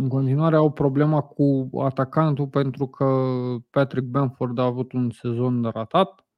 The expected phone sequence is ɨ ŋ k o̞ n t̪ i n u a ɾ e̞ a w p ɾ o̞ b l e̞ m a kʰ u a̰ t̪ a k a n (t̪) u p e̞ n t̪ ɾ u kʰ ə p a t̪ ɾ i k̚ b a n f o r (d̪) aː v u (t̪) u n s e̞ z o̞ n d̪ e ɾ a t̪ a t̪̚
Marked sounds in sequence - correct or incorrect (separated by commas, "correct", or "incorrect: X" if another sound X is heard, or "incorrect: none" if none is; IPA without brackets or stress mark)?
correct, correct, correct